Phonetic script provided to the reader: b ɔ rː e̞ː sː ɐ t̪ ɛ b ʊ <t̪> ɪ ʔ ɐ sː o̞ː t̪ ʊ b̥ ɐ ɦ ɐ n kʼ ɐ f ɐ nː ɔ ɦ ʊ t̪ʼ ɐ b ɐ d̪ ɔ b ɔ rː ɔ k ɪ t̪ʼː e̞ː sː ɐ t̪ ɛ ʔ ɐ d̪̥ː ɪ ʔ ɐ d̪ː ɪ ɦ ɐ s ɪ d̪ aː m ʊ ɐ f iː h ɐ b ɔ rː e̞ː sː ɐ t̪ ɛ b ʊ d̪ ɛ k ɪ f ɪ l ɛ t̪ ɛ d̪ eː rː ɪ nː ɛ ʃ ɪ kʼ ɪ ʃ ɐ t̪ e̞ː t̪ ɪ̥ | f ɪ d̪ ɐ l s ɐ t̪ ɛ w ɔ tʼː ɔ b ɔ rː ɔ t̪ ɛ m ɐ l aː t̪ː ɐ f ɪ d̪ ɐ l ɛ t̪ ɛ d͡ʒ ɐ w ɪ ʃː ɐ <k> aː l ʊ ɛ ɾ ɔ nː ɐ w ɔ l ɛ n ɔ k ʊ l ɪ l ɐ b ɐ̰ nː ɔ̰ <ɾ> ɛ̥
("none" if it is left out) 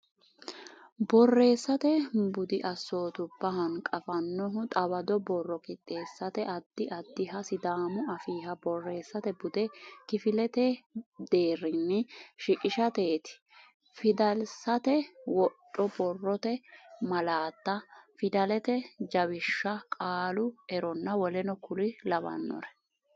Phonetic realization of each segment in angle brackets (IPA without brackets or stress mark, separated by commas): d̪, kʼ, ɾ